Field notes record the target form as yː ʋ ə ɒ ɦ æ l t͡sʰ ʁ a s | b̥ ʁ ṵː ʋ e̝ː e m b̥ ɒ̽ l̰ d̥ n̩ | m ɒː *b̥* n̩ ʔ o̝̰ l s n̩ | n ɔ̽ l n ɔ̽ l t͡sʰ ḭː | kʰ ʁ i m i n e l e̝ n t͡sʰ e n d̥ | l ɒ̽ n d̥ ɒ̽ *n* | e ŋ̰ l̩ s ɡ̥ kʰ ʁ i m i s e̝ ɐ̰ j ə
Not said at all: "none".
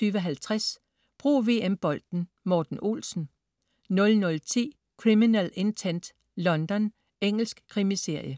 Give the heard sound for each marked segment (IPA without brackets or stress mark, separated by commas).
d̥, n